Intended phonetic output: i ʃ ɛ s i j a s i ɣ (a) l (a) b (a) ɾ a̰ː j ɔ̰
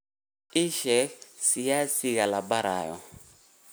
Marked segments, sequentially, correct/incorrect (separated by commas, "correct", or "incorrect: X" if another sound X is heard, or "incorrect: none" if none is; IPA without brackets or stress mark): correct, correct, correct